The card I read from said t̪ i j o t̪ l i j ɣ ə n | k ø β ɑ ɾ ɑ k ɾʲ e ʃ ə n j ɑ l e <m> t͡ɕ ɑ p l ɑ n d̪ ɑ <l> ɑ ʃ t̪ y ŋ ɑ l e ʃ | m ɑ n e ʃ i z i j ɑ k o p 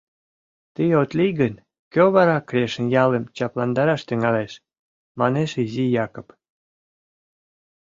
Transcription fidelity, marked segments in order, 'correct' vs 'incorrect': correct, incorrect: ɾ

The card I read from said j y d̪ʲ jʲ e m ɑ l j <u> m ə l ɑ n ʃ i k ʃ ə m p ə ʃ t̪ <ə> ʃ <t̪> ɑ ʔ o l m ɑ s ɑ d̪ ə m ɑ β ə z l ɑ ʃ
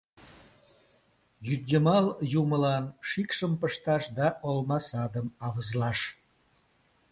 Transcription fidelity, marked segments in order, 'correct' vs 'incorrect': correct, incorrect: ɑ, incorrect: d̪

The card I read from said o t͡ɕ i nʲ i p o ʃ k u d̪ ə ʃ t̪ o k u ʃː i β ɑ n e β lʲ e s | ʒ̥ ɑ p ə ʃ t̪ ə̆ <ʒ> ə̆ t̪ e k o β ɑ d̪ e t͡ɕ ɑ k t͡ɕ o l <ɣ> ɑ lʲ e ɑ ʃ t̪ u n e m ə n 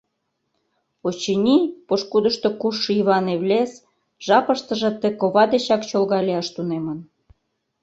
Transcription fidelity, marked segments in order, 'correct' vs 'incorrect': correct, correct

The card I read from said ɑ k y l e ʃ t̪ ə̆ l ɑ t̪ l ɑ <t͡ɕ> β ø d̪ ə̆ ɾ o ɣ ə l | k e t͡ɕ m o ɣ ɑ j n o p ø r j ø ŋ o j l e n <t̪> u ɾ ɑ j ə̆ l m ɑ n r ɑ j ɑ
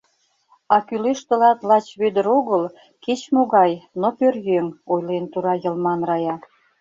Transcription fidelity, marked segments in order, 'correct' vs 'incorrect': correct, correct

